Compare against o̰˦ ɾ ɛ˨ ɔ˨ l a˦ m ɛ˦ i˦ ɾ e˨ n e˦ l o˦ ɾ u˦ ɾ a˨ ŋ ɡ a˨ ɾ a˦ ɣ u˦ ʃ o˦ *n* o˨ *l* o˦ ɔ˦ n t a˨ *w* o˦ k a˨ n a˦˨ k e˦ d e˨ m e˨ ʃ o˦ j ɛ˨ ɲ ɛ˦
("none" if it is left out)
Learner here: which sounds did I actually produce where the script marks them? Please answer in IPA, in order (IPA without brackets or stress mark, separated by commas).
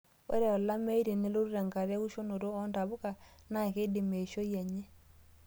n, ɾ, β